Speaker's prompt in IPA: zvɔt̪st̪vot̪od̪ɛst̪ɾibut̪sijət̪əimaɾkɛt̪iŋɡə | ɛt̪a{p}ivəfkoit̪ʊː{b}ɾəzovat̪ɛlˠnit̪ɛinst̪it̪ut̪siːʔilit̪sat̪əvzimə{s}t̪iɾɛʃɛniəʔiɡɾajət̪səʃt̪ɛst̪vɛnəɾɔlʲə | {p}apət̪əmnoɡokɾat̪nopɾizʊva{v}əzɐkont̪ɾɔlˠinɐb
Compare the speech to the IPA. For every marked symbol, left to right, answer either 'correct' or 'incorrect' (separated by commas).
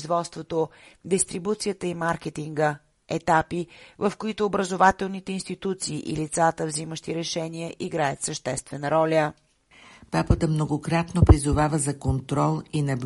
correct, correct, incorrect, correct, correct